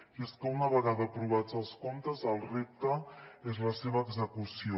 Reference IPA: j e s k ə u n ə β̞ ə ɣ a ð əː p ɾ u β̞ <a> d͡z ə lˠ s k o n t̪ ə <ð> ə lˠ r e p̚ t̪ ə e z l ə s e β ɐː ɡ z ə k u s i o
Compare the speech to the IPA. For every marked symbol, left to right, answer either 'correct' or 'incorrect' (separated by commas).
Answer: correct, incorrect